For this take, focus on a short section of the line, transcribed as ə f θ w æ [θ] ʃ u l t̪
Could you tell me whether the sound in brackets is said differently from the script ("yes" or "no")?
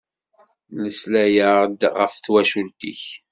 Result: yes